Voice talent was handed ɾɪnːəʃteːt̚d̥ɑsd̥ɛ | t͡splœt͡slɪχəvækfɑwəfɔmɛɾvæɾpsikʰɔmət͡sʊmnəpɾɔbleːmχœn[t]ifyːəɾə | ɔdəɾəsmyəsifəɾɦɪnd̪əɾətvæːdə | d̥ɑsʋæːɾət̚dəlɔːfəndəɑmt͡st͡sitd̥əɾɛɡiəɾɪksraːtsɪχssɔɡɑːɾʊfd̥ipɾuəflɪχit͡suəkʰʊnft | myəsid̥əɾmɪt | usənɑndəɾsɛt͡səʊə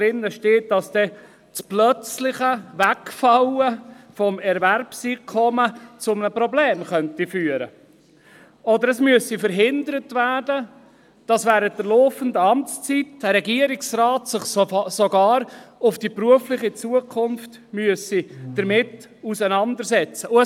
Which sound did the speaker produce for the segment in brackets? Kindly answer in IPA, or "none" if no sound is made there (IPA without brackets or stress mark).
t